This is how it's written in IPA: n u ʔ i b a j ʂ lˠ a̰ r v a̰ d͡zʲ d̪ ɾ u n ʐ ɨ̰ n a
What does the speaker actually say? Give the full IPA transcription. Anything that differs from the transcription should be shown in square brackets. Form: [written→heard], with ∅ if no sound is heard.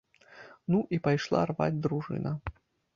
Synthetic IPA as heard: n u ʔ i [b→p] a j ʂ lˠ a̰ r v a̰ d͡zʲ d̪ ɾ u [n→∅] ʐ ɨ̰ n [a→ɐ]